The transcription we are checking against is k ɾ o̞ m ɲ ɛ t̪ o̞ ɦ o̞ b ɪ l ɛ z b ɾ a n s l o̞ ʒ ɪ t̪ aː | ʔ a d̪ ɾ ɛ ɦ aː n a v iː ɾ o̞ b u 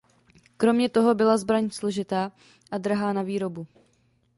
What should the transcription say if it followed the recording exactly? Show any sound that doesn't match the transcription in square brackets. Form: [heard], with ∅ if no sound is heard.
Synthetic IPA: k ɾ o̞ m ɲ ɛ t̪ o̞ ɦ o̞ b ɪ l [a] z b ɾ a [ɲ] s l o̞ ʒ ɪ t̪ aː | ʔ a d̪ ɾ [a] ɦ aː n a v iː ɾ o̞ b u